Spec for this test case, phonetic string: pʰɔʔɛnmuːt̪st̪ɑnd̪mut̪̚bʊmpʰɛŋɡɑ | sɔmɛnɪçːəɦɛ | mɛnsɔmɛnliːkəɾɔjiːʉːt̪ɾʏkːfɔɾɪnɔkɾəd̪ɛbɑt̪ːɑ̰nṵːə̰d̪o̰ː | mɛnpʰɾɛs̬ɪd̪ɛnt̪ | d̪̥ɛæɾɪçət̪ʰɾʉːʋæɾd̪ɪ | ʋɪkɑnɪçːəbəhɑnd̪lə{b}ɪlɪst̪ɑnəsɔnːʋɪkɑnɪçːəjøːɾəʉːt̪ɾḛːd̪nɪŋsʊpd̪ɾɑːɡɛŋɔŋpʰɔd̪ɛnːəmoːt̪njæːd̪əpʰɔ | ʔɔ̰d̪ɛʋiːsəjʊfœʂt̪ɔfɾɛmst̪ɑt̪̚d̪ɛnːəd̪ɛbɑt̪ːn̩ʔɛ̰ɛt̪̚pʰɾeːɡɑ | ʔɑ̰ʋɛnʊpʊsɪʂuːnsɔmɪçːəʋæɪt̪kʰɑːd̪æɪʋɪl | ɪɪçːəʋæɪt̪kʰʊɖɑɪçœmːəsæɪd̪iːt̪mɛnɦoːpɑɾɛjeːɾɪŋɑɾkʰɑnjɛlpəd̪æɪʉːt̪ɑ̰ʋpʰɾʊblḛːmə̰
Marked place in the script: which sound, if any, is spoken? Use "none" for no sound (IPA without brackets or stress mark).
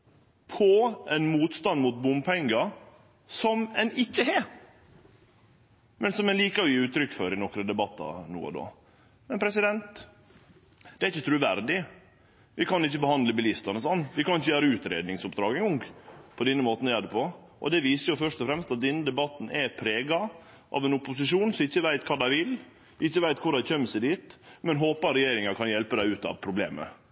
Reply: b